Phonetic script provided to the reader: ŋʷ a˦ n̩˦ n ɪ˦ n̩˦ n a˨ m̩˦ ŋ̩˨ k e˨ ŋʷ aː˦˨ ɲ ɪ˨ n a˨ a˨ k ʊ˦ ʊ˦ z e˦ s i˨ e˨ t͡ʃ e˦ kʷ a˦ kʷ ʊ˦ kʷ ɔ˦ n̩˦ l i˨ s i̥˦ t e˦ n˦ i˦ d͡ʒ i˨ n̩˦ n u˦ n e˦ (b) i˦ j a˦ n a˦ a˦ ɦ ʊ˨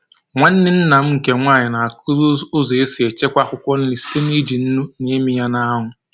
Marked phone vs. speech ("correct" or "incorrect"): incorrect